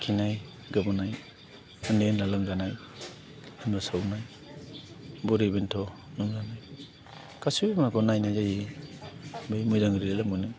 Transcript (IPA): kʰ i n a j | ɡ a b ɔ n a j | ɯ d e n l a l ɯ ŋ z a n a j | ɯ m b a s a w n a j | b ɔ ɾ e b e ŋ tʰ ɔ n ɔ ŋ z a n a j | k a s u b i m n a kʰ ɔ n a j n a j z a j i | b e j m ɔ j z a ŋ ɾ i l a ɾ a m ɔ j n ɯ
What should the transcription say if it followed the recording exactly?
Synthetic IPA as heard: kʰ i n a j | ɡ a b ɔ n a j | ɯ n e n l a l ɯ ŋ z a n a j | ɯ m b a s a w n a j | b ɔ ɾ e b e n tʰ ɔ n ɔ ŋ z a n a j | k a s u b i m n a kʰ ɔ n a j n a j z a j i | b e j m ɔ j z a ŋ ɾ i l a l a m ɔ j n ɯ